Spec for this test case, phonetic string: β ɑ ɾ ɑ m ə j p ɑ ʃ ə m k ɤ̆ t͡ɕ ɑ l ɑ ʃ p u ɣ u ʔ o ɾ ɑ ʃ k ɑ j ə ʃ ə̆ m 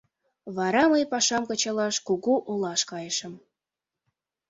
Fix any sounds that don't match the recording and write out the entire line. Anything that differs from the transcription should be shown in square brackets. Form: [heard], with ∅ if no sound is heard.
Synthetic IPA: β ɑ ɾ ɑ m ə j p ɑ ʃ [ɑ] m k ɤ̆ t͡ɕ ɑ l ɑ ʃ [k] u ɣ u ʔ o [l] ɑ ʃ k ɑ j ə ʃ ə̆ m